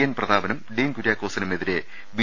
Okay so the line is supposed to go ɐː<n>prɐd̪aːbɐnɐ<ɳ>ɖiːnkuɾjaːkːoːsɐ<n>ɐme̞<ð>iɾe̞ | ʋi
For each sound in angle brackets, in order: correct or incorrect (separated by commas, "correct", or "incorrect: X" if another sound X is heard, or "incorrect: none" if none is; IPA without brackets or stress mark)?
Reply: correct, incorrect: m, correct, correct